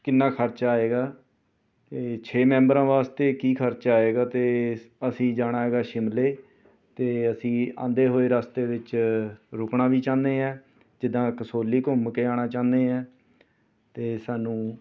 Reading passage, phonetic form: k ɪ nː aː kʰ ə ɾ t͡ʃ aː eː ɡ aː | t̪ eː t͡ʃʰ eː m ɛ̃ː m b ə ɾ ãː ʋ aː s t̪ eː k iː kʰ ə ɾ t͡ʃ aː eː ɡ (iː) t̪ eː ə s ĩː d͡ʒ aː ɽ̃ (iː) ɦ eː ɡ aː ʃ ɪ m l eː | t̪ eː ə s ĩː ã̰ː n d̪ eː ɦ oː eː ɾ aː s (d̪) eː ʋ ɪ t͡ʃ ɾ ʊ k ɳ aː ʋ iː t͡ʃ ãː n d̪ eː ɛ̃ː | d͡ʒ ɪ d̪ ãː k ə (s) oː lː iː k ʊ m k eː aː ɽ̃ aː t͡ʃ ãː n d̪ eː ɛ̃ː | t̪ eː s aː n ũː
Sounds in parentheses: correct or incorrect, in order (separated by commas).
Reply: incorrect, incorrect, incorrect, correct